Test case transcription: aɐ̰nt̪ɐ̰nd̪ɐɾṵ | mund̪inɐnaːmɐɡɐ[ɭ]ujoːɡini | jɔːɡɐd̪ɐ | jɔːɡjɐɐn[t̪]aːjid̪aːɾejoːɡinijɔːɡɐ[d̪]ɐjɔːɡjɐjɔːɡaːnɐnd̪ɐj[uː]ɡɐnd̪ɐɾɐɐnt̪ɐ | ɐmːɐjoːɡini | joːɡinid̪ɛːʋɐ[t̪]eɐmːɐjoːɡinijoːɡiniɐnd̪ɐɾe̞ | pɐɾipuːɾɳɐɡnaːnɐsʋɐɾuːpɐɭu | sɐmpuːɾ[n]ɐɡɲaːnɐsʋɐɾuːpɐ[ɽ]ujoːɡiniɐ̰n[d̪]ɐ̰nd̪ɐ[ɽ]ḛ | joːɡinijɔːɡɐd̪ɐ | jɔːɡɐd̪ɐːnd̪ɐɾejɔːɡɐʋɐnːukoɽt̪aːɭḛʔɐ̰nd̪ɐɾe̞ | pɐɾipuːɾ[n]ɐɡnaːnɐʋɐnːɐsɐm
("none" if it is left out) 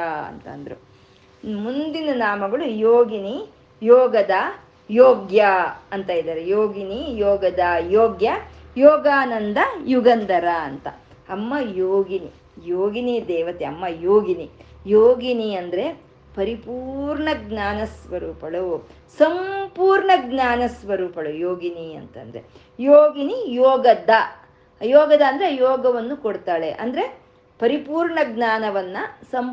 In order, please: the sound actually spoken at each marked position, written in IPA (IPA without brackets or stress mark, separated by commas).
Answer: ɭ, t̪, d̪, u, t̪, ɳ, ɭ, t̪, ɾ, ɳ